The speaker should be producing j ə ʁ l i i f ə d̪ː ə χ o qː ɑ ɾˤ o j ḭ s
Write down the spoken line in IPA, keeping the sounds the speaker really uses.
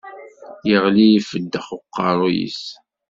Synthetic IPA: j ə ʁ l i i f ə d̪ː ə χ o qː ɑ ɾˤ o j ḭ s